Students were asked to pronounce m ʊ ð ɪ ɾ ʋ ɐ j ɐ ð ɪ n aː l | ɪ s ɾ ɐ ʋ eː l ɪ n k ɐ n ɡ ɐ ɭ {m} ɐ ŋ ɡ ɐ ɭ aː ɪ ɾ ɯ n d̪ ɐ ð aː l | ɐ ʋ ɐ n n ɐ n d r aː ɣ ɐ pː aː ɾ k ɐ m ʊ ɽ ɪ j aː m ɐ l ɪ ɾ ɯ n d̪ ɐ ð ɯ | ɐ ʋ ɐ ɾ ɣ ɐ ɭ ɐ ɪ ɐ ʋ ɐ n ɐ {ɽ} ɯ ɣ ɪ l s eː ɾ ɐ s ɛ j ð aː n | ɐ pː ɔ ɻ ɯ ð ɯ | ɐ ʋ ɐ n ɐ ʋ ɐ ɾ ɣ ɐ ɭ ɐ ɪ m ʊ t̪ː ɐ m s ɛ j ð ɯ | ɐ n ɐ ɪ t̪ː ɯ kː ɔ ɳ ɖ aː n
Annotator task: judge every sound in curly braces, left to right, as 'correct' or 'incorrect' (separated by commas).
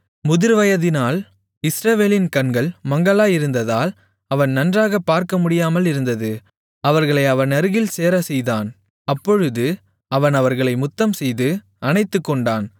correct, incorrect